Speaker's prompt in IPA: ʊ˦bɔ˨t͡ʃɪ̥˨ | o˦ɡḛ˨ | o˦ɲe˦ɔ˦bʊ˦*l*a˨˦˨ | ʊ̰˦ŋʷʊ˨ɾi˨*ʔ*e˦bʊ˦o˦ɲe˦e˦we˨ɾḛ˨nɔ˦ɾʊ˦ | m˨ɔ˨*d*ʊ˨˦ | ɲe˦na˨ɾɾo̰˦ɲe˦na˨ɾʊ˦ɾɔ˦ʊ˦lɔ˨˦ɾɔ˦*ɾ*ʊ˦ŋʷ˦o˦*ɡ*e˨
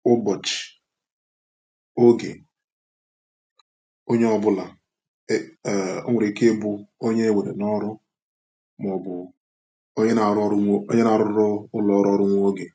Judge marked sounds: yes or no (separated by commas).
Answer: yes, no, no, yes, yes